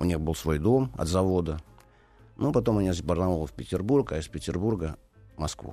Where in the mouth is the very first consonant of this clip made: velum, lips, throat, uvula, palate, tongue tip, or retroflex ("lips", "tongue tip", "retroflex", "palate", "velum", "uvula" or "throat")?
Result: tongue tip